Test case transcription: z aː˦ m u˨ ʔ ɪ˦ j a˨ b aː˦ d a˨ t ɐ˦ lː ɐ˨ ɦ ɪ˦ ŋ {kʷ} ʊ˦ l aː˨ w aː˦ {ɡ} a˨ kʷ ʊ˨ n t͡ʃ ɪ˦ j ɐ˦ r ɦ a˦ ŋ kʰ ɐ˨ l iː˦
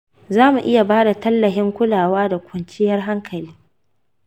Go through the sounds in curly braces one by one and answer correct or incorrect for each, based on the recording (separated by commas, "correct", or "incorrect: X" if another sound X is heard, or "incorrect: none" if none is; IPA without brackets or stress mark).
correct, incorrect: d